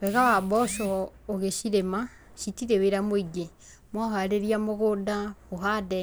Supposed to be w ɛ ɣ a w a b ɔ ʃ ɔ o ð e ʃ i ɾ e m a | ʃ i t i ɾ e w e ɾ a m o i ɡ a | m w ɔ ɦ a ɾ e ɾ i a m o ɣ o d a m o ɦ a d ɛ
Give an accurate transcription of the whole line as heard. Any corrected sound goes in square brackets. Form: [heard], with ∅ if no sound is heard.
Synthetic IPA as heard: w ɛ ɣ a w a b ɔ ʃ ɔ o [ɣ] e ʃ i ɾ e m a | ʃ i t i ɾ e w e ɾ a m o i ɡ [e] | m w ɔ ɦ a ɾ e ɾ i a m o ɣ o d a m o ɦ a d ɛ